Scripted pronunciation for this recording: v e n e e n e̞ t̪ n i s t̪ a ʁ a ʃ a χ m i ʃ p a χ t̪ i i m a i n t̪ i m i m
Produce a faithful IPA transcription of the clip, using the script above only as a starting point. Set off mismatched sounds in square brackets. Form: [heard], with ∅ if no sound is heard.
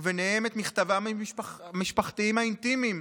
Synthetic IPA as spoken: v e n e e [m] e̞ t̪ [m] i [χ] t̪ a [v] a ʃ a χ m i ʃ p a χ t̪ i i m a i n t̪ i m i m